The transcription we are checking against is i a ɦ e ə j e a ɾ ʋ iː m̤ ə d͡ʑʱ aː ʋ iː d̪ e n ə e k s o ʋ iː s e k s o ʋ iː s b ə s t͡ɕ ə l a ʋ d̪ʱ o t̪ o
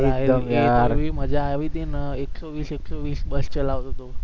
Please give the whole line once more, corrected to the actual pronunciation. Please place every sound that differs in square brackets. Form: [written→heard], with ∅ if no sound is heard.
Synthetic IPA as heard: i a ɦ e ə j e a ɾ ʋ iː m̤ ə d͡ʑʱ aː ʋ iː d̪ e n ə e k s o ʋ iː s e k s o ʋ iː s b ə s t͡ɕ ə l a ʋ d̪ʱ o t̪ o